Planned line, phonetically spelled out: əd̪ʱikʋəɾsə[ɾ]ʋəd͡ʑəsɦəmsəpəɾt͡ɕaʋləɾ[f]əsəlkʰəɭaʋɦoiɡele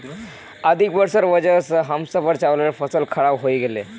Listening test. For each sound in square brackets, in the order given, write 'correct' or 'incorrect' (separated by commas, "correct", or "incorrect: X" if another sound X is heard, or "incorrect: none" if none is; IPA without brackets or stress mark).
correct, correct